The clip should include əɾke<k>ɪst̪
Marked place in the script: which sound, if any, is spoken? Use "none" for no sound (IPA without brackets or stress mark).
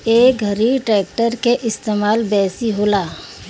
ʔ